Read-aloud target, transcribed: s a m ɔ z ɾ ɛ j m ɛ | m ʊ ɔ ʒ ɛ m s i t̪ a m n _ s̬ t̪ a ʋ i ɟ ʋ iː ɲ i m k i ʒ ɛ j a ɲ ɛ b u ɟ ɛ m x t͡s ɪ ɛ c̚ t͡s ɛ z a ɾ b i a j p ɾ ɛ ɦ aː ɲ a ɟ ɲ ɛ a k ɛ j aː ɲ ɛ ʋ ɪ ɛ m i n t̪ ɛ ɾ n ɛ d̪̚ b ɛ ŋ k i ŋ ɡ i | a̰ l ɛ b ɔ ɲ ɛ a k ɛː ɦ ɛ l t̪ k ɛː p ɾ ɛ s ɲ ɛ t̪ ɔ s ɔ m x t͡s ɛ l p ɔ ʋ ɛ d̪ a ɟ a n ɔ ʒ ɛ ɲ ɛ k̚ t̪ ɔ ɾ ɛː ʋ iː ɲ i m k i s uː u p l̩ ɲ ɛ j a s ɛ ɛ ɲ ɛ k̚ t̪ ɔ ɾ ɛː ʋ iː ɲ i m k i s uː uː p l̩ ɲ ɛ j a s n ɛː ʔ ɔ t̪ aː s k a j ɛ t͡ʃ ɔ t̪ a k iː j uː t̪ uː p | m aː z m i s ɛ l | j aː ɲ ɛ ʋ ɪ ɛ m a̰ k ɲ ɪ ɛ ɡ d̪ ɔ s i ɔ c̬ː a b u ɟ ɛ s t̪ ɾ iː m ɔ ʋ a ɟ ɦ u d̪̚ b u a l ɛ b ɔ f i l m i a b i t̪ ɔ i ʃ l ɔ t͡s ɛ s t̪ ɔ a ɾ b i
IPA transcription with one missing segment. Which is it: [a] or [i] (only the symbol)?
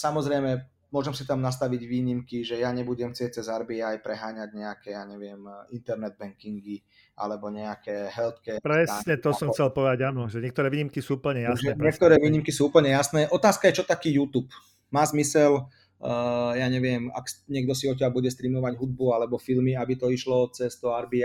a